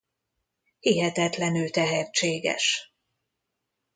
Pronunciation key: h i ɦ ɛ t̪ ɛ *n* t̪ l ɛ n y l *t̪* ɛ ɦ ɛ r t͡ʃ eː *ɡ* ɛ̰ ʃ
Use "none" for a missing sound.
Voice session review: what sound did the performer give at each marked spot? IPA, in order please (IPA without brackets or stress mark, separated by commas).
none, t̪, ɡ